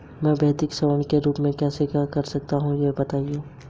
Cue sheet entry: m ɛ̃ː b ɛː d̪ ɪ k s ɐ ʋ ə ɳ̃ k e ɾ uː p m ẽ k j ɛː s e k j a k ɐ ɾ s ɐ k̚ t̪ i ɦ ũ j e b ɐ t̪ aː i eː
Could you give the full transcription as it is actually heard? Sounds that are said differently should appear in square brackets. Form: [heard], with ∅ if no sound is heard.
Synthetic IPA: m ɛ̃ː b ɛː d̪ ɪ k s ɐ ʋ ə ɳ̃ k e ɾ uː p m ẽ k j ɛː s e k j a k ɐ ɾ s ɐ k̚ t̪ [a] ɦ ũ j e b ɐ t̪ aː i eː

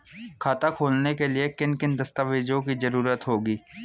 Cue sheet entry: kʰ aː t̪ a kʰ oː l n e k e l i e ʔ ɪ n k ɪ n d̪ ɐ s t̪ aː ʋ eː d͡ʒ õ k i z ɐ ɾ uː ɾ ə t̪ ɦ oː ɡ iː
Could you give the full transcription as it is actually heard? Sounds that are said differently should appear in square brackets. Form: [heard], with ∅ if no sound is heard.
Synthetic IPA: kʰ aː t̪ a kʰ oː l n e k e l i e [k] ɪ n k ɪ n d̪ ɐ s t̪ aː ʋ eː d͡ʒ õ k i z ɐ ɾ uː ɾ ə t̪ ɦ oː ɡ iː

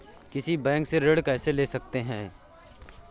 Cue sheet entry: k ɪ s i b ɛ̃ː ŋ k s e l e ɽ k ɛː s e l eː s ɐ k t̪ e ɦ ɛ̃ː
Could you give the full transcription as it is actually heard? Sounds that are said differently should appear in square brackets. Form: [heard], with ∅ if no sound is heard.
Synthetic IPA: k ɪ s i b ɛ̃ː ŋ k s e [ɾ] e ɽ k ɛː s e l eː s ɐ k t̪ e ɦ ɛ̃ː

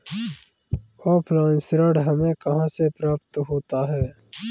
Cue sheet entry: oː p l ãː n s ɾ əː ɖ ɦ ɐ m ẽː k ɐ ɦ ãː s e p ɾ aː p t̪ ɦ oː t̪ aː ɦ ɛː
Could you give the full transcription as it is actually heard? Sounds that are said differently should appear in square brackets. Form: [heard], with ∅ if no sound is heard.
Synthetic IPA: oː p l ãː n s ɾ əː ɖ ɦ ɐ m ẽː k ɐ ɦ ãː s e p ɾ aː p t̪ ɦ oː t̪ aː ɦ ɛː

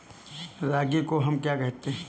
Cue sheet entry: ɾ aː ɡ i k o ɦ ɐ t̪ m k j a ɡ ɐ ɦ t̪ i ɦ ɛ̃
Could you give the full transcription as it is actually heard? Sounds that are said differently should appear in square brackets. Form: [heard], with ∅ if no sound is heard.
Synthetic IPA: ɾ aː ɡ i k o ɦ ɐ [∅] m k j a [k] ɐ ɦ t̪ [e] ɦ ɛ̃

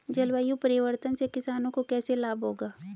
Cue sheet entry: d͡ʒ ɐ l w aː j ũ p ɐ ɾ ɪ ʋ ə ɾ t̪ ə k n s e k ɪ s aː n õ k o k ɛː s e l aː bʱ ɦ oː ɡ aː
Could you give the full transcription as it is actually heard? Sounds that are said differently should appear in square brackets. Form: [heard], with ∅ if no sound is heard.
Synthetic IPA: d͡ʒ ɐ l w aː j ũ p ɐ ɾ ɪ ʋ ə ɾ t̪ ə [∅] n s e k ɪ s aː n õ k o k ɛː s e l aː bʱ ɦ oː ɡ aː

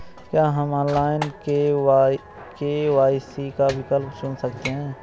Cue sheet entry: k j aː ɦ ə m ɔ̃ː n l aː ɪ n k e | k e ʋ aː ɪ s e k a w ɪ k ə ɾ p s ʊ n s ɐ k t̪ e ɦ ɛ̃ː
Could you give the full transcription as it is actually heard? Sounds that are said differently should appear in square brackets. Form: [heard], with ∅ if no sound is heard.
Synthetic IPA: k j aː ɦ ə m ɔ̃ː n l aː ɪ n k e | k e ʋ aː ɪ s [i] k a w ɪ k ə [l] p s ʊ n s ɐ k t̪ e ɦ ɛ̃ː

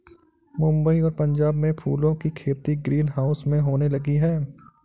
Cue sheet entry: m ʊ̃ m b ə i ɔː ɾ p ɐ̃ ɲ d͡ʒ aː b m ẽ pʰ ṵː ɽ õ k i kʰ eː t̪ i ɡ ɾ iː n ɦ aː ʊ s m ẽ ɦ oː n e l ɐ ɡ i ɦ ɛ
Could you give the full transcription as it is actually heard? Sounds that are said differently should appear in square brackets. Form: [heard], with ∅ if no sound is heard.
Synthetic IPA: m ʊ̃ m b ə i ɔː ɾ p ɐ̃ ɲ d͡ʒ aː b m ẽ pʰ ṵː [l] õ k i kʰ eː t̪ i ɡ ɾ iː n ɦ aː ʊ s m ẽ ɦ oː n e l ɐ ɡ i ɦ [ɛː]

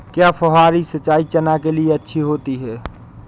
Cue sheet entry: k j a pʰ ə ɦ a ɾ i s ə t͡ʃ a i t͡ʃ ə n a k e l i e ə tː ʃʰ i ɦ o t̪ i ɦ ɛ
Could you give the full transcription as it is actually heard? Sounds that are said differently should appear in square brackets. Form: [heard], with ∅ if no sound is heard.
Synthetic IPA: k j a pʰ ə ɦ a ɾ i s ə t͡ʃ a i t͡ʃ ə n a k e l i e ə tː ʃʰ i ɦ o t̪ i ɦ ɛ

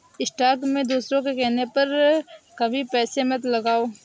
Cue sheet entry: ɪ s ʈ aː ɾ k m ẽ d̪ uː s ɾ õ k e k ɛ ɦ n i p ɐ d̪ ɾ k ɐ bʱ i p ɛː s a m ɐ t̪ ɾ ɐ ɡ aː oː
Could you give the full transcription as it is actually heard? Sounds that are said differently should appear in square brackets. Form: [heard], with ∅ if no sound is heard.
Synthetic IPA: ɪ s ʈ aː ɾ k m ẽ d̪ uː s ɾ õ k e k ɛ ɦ n [e] p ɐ [∅] ɾ k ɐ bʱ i p ɛː s [e] m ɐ t̪ [l] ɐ ɡ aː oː

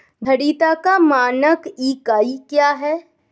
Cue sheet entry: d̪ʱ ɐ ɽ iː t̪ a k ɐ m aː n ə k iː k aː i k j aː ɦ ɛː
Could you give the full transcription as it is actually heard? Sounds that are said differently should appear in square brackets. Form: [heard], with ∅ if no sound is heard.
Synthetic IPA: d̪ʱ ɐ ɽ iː t̪ a k [a] m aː n ə k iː k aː i k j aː ɦ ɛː

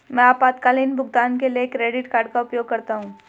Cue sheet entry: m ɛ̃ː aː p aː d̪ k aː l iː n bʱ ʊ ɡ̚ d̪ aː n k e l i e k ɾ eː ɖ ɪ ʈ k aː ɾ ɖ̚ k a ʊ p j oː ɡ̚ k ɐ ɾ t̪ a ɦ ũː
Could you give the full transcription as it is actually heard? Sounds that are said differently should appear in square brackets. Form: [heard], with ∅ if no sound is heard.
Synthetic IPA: m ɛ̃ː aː p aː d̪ k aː l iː n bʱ ʊ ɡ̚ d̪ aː n k e l i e k ɾ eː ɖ ɪ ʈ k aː ɾ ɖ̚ k a ʊ p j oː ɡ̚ k ɐ ɾ t̪ a ɦ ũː

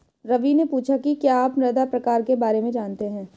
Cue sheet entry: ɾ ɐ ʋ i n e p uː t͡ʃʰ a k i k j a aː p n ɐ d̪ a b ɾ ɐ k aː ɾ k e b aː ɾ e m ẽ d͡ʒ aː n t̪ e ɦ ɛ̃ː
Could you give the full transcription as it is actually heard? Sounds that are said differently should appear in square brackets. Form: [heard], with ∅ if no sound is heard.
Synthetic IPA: ɾ ɐ ʋ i n e p uː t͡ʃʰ a k i k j a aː p n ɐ d̪ a [p] ɾ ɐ k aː ɾ k e b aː ɾ e m ẽ d͡ʒ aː n t̪ e ɦ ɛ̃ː

